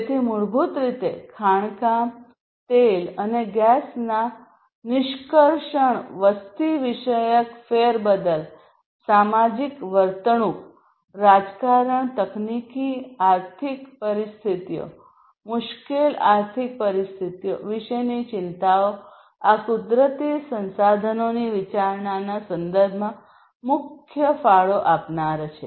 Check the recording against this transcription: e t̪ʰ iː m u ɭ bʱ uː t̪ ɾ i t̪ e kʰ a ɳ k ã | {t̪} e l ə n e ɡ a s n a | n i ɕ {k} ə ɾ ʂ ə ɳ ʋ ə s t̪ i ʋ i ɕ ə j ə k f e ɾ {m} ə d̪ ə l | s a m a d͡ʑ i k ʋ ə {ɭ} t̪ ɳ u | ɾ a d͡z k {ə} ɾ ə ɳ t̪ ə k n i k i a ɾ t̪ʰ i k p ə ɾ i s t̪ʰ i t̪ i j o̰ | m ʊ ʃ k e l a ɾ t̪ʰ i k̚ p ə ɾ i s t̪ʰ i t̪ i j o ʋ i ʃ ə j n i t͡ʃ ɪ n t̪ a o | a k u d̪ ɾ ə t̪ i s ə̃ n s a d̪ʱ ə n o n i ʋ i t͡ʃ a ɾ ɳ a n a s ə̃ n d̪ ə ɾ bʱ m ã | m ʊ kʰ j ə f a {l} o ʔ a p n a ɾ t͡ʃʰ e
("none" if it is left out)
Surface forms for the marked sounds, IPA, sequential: t̪, k, b, ɾ, a, ɭ

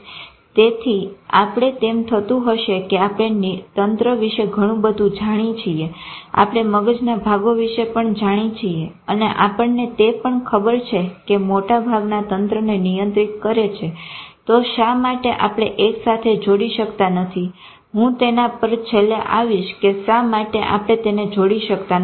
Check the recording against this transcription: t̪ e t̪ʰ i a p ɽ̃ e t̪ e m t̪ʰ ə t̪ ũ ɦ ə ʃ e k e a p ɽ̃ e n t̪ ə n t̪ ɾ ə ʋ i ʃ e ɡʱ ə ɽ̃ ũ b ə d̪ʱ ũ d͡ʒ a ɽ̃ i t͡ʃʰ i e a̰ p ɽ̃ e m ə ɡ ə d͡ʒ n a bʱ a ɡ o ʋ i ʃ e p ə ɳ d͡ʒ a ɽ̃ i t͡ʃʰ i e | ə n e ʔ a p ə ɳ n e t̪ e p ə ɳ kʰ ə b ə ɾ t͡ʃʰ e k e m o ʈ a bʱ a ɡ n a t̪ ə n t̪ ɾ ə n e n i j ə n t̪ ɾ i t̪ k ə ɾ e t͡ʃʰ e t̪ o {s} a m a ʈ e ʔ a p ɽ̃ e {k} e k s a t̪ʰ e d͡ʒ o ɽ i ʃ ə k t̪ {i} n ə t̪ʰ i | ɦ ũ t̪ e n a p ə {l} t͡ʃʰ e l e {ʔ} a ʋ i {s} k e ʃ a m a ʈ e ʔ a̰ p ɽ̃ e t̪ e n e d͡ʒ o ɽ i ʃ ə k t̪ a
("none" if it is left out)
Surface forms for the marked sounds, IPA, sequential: ʃ, ʔ, a, ɾ, ʔ, ʃ

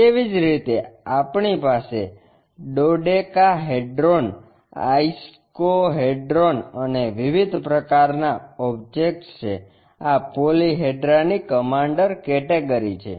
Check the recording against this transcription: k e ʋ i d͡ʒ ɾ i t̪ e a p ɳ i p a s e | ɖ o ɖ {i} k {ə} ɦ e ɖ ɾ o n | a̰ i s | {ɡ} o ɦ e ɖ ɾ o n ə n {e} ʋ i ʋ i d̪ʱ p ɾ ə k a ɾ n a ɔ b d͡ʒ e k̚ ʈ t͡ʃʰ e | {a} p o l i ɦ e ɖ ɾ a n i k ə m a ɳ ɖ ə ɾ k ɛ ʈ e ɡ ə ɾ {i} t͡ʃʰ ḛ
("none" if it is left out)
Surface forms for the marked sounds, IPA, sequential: e, a, k, e, a, i

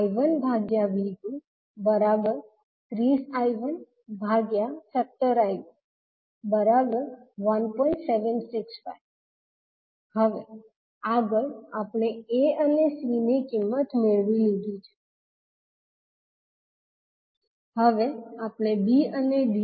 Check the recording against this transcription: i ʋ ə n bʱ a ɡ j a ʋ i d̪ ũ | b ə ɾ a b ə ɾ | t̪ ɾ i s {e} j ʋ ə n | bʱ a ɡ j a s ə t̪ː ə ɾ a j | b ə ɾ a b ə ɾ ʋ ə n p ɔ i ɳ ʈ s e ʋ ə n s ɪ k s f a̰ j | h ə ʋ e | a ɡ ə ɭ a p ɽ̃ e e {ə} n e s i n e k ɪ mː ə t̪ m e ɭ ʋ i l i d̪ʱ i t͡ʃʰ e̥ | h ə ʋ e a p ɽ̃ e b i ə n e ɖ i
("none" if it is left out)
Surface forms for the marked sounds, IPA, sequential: a, ə

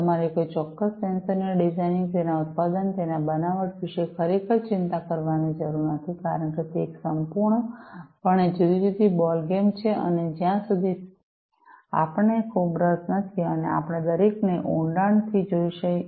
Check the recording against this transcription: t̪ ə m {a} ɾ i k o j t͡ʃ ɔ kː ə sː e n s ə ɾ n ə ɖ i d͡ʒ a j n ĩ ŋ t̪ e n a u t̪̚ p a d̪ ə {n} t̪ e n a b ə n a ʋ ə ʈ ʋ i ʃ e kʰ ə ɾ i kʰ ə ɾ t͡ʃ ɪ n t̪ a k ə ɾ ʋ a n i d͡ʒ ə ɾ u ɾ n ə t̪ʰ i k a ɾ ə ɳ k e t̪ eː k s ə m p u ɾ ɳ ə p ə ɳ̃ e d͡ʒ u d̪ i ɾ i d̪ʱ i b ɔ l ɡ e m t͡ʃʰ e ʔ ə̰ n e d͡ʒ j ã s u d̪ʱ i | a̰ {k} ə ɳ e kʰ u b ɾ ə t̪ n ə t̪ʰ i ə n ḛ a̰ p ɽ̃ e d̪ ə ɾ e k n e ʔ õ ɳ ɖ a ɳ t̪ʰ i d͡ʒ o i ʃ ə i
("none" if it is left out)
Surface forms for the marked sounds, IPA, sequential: a, n, p

